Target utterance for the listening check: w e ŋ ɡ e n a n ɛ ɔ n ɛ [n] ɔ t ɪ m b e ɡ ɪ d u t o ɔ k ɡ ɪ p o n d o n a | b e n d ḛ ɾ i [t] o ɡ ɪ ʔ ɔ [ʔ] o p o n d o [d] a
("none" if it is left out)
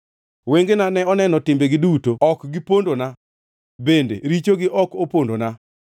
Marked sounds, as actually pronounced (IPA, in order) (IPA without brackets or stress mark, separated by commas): n, t͡ʃ, k, n